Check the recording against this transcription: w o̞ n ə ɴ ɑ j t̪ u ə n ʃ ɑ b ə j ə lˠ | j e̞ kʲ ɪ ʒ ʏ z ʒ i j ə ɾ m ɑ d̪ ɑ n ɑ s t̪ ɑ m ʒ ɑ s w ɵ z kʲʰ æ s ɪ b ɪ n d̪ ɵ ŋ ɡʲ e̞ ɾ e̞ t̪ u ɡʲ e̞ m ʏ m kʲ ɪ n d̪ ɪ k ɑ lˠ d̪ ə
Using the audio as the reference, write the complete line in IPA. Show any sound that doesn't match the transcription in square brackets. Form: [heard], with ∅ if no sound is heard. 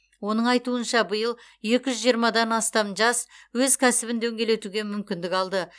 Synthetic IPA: w o̞ n ə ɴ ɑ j t̪ u ə n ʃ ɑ b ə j ə lˠ | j e̞ kʲ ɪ ʒ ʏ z ʒ i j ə ɾ m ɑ d̪ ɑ n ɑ s t̪ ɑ m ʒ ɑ s w ɵ z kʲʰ æ s ɪ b ɪ n d̪ ɵ ŋ ɡʲ e̞ [l] e̞ t̪ u ɡʲ e̞ m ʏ m kʲ ɪ n d̪ ɪ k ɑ lˠ d̪ ə